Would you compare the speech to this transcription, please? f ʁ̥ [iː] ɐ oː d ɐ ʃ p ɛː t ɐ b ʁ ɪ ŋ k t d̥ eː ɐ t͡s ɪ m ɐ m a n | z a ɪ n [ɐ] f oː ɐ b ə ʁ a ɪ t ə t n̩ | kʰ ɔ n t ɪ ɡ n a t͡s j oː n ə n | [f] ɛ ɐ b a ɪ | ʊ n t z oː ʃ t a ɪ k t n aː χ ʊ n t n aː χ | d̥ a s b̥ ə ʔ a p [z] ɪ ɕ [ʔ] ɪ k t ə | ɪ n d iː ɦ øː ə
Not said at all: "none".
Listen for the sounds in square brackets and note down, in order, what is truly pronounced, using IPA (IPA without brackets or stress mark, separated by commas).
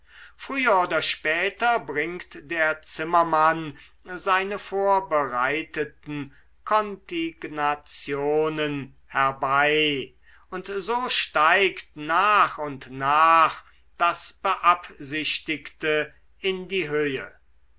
yː, ə, h, z, t